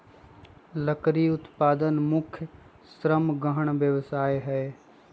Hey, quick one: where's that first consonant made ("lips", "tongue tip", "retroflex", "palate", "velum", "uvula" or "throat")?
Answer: tongue tip